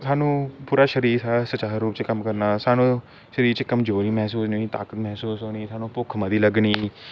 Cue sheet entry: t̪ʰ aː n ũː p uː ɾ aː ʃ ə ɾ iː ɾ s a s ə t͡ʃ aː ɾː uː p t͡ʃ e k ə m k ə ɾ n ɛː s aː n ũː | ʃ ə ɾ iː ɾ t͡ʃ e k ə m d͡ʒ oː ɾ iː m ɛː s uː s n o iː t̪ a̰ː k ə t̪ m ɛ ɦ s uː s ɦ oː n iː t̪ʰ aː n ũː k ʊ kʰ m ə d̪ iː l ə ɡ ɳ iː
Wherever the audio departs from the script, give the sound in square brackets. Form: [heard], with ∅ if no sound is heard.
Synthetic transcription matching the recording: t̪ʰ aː n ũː p uː ɾ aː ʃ ə ɾ iː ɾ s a s ə t͡ʃ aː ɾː uː p t͡ʃ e k ə m k ə ɾ n [aː] s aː n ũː | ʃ ə ɾ iː ɾ t͡ʃ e k ə m d͡ʒ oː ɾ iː m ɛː s uː s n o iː t̪ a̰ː k ə t̪ m ɛ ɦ s uː s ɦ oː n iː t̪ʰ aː n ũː [p] ʊ kʰ m ə d̪ iː l ə ɡ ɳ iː